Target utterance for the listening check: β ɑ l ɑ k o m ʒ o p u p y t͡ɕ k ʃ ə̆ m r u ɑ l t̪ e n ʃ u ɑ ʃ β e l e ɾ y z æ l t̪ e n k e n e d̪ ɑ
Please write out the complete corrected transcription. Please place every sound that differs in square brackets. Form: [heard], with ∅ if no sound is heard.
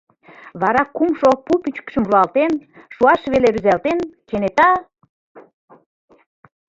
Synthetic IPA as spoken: β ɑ [ɾ] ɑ k [u] m [ʃ] o p u p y t͡ɕ k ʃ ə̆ m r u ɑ l t̪ e n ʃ u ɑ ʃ β e l e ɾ y z æ l t̪ e n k e n e [t̪] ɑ